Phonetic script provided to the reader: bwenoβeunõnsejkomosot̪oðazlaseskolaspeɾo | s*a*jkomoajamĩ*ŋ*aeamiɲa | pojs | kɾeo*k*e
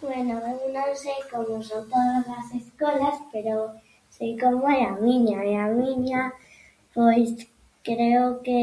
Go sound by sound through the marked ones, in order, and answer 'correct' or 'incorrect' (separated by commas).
incorrect, incorrect, correct